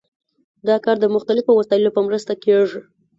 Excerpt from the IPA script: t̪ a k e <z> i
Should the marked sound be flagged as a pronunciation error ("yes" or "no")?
yes